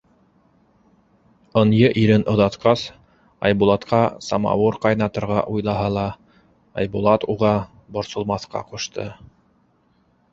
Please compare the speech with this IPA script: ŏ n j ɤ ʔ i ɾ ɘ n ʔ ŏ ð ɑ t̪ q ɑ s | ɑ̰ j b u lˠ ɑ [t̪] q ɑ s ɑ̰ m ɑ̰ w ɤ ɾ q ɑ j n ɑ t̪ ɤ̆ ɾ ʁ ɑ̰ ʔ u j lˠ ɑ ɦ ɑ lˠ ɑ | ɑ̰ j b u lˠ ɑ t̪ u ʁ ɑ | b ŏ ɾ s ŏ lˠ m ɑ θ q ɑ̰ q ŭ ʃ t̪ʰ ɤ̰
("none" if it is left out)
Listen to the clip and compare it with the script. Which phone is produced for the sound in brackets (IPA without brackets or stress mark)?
t̪